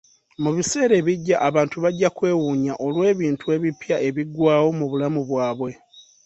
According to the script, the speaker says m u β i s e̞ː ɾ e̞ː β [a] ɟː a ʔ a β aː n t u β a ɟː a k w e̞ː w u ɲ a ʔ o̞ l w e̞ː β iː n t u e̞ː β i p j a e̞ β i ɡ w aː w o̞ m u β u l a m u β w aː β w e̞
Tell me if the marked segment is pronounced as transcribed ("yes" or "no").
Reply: no